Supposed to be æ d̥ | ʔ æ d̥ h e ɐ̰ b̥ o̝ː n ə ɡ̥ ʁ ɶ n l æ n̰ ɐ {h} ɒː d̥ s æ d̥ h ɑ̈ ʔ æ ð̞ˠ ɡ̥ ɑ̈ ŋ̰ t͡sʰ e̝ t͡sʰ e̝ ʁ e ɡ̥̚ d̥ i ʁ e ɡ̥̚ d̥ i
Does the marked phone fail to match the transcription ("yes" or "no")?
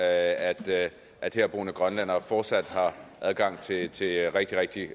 yes